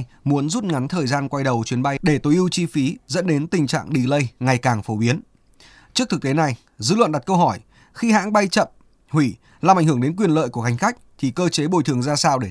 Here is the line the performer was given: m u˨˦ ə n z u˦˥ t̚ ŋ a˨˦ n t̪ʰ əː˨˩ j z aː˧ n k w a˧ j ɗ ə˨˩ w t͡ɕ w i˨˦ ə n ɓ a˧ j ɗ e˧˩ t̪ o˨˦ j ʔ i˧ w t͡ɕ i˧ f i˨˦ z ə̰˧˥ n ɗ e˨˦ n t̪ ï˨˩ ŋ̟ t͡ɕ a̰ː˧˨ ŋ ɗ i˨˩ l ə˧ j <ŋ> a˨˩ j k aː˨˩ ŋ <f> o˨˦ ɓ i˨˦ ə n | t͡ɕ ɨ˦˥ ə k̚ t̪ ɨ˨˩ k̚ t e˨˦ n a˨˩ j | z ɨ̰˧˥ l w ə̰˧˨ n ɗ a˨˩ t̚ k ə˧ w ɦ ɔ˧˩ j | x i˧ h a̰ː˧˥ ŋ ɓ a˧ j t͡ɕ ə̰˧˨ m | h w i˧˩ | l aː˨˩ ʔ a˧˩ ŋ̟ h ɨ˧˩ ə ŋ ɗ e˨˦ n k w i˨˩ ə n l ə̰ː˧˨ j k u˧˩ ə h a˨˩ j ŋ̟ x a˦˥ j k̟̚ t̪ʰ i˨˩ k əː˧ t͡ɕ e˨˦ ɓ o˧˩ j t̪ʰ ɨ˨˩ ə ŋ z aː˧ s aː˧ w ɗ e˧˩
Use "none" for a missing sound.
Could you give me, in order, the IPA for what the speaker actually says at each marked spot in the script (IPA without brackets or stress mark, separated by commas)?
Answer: ŋ, f